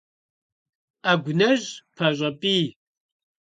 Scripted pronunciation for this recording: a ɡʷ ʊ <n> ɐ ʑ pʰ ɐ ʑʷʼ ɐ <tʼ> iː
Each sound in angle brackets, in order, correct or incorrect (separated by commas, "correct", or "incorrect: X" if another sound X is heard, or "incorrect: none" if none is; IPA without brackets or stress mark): correct, incorrect: pʼ